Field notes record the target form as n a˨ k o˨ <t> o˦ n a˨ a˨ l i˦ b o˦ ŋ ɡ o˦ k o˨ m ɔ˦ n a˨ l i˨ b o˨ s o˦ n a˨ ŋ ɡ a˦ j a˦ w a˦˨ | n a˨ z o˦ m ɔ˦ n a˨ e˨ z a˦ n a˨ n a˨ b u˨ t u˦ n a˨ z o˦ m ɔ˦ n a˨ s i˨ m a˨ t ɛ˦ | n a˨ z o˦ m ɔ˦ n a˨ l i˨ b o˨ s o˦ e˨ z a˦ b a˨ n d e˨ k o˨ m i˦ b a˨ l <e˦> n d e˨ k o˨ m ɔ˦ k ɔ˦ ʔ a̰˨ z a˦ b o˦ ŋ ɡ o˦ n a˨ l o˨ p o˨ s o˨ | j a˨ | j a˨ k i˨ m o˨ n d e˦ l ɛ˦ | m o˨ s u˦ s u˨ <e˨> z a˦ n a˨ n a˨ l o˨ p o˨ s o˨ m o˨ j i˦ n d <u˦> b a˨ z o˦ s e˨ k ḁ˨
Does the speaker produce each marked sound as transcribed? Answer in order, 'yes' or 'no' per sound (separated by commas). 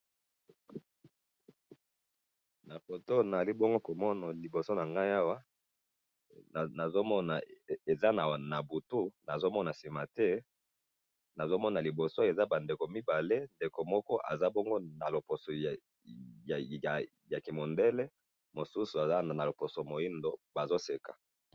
yes, yes, no, no